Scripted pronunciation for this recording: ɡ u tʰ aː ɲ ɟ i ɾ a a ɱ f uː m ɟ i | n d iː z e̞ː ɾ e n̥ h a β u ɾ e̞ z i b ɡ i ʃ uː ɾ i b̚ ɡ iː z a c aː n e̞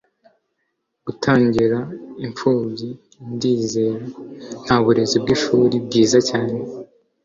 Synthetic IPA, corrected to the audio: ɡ u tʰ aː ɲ ɟ i ɾ a i ɱ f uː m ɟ i | n d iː z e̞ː ɾ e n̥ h a β u ɾ e̞ z i b ɡ i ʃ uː ɾ i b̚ ɡ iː z a c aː n e̞